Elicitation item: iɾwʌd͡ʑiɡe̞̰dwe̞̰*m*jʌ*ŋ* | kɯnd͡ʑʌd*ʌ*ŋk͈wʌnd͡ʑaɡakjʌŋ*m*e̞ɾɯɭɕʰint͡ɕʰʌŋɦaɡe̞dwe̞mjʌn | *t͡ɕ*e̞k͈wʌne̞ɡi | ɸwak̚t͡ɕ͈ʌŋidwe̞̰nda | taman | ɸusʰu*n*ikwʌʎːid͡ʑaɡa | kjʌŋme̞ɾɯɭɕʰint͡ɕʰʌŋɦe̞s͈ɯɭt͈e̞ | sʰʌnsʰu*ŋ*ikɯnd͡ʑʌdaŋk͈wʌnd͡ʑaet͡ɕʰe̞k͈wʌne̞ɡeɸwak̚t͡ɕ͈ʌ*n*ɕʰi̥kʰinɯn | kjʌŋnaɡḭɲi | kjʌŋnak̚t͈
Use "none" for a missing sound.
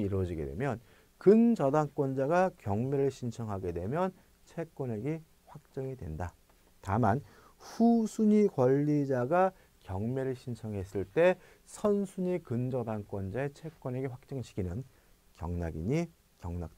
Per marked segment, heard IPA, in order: m, n, a, m, t͡ɕʰ, ɲ, ɲ, ŋ

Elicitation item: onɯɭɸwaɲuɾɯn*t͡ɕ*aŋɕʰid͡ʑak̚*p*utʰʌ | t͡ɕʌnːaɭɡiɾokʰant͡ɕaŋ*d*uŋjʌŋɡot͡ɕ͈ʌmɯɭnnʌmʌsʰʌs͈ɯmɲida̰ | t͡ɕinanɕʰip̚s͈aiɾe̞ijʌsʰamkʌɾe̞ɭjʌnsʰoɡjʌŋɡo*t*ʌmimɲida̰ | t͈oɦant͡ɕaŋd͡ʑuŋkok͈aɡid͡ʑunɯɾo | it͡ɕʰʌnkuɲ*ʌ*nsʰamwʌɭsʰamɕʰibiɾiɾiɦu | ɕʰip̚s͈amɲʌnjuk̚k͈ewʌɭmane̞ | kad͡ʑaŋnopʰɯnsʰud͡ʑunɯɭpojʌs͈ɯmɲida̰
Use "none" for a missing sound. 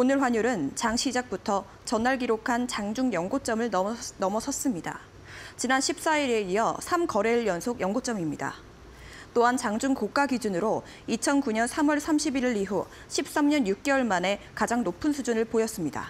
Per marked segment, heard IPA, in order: t͡ɕ, p, d͡ʑ, t͡ɕ͈, ʌ

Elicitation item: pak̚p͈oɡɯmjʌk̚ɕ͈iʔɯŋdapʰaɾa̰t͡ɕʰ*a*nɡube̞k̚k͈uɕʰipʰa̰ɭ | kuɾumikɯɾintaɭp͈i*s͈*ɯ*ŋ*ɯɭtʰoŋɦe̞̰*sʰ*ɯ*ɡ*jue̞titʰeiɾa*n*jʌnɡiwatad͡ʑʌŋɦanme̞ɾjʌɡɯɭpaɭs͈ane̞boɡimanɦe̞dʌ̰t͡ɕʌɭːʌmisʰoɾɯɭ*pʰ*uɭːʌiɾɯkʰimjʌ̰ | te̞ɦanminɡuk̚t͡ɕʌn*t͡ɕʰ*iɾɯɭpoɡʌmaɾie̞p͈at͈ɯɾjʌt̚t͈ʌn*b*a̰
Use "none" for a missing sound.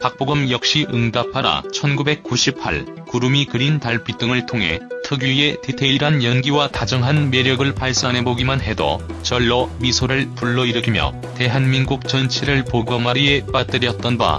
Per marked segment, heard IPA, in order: ʌ, t͈, ŋ, tʰ, ɡ, n, p, t͡ɕʰ, b

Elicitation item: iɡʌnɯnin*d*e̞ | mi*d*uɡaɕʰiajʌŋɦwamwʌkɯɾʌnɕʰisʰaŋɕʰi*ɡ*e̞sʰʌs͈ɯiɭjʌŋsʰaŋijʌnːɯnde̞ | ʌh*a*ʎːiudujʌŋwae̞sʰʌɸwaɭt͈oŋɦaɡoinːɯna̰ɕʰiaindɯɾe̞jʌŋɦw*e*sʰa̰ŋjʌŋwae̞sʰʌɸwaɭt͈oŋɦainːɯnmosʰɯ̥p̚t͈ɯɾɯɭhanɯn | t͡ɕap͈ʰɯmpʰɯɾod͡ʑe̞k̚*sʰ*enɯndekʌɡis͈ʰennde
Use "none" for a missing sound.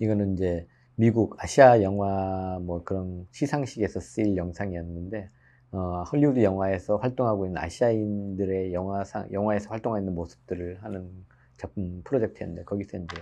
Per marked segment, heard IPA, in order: d͡ʑ, ɡ, ɡ, ʌ, a, tʰ

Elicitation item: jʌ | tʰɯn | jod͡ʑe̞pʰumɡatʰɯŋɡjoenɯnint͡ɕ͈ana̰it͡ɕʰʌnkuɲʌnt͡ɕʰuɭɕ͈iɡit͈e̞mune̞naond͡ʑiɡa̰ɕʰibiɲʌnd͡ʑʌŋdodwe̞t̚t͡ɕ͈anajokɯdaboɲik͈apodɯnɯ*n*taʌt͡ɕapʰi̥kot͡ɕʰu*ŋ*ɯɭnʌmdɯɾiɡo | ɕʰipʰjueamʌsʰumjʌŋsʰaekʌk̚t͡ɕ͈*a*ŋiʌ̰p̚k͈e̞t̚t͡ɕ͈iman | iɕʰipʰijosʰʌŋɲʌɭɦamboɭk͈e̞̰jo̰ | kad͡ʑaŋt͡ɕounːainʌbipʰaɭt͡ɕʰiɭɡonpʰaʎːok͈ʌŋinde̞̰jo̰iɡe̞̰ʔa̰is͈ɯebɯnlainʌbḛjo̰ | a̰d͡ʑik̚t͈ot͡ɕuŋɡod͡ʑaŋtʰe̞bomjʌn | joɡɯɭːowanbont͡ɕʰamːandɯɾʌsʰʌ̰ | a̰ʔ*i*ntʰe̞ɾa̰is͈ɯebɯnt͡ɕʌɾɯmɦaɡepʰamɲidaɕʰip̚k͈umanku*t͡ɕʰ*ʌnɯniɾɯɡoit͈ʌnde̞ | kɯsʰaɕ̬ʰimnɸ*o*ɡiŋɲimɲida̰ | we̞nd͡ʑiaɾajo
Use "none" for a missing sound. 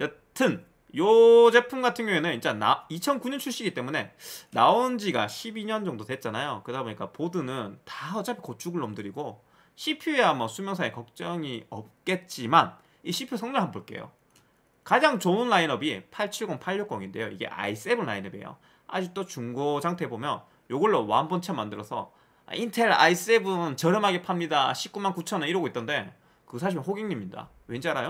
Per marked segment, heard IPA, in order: n, ɡ, ʌ, i, t͡ɕʰ, o

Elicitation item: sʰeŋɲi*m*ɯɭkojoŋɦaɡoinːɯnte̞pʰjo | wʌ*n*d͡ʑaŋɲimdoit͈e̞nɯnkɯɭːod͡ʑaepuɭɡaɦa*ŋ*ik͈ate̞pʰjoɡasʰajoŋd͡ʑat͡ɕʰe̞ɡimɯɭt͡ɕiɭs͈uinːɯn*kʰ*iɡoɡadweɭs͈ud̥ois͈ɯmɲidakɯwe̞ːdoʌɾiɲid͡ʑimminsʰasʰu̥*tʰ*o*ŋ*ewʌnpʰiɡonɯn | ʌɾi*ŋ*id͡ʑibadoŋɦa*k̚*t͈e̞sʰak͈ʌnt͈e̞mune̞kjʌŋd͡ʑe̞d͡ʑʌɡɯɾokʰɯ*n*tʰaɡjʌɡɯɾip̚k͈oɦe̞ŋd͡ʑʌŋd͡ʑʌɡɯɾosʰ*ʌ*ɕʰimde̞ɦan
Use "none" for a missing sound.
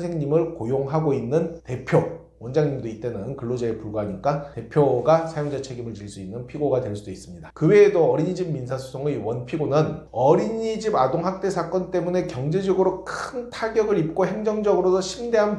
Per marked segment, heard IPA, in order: m, n, ɲ, pʰ, sʰ, ŋ, ɲ, k̚, n, ʌ

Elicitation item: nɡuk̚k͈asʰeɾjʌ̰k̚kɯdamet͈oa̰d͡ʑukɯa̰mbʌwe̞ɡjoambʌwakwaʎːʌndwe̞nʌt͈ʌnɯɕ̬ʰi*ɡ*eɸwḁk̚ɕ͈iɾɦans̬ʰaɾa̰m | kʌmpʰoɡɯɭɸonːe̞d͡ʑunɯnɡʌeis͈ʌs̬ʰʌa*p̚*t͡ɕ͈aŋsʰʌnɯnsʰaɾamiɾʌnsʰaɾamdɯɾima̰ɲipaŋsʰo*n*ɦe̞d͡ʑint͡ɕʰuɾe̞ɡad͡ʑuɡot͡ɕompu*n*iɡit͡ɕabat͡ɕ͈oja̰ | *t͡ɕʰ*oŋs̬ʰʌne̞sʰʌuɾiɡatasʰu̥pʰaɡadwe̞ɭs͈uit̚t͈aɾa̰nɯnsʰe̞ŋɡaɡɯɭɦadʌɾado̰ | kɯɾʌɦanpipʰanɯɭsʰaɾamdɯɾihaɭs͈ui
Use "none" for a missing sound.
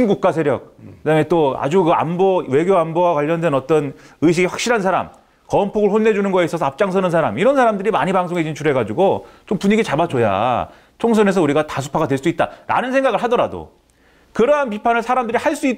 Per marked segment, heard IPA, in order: ɡ, p̚, ŋ, ɲ, t͡ɕʰ

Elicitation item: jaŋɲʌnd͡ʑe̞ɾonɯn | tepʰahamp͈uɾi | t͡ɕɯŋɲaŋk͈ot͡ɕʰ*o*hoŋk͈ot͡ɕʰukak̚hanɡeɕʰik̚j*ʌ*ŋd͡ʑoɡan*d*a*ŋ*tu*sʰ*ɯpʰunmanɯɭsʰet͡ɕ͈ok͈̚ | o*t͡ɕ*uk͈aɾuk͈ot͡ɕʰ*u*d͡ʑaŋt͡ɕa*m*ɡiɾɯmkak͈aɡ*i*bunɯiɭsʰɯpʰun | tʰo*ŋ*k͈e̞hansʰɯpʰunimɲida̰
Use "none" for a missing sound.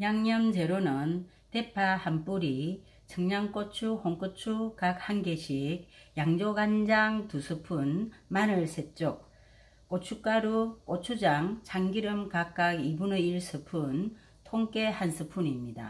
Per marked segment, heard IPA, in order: u, a, d͡ʑ, ŋ, sʰ, t͡ɕʰ, u, ŋ, i, ŋ

